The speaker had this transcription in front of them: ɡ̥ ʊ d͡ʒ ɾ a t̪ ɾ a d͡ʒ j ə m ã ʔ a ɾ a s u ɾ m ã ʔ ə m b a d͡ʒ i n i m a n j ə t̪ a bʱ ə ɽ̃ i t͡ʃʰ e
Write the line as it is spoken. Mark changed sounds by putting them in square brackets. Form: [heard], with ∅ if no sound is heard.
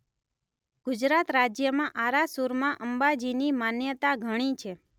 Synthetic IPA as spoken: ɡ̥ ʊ d͡ʒ ɾ a t̪ ɾ a d͡ʒ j ə m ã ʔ a ɾ a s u ɾ m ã ʔ ə m b a d͡ʒ i n i m a n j ə t̪ a [ɡʱ] ə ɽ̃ i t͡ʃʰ e